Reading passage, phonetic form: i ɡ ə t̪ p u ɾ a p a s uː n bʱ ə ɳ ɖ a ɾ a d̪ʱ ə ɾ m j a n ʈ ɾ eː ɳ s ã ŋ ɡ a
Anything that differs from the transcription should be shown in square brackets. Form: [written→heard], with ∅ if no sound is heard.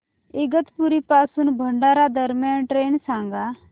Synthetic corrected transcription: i ɡ ə t̪ p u ɾ [a→i] p a s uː n bʱ ə ɳ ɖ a ɾ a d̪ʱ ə ɾ m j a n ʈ ɾ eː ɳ s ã ŋ ɡ a